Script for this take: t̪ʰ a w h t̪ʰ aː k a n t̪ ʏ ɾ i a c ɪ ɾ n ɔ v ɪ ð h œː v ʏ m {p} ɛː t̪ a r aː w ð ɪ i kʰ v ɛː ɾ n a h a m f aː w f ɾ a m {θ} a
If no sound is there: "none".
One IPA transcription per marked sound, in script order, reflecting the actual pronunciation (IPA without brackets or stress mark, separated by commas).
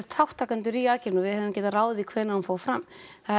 c, θ